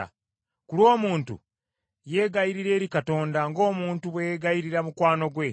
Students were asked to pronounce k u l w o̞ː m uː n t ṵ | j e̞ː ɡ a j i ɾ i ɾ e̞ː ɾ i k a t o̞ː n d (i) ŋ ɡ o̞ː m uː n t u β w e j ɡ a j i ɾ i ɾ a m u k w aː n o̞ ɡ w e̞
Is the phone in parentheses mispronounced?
yes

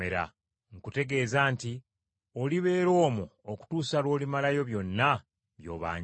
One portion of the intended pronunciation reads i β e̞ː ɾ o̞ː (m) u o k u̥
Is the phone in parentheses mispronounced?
no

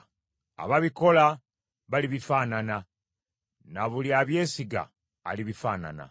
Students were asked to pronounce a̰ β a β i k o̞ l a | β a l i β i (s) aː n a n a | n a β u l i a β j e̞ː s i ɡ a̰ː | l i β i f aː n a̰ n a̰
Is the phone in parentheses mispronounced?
yes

